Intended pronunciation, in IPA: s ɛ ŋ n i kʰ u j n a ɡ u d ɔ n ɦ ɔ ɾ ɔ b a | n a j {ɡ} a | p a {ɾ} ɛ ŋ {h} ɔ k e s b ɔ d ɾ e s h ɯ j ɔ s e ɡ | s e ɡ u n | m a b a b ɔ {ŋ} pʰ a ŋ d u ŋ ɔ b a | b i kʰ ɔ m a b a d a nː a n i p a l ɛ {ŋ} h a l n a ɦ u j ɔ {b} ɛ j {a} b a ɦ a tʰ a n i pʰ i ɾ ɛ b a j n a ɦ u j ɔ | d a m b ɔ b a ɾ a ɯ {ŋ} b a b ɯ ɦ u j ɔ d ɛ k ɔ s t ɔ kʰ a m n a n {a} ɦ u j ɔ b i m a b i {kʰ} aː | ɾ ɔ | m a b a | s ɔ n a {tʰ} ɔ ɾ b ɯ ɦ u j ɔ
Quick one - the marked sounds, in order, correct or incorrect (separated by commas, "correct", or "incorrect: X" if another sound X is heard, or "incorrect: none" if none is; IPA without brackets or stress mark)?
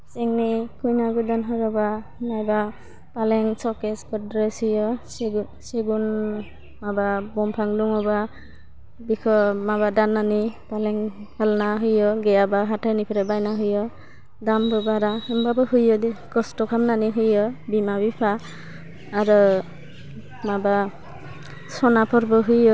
incorrect: b, incorrect: l, incorrect: s, incorrect: m, correct, incorrect: ɡ, correct, incorrect: m, incorrect: i, incorrect: pʰ, incorrect: pʰ